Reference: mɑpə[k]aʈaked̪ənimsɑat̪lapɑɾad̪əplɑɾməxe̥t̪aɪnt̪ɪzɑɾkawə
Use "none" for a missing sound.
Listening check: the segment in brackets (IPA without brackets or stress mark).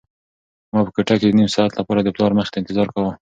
k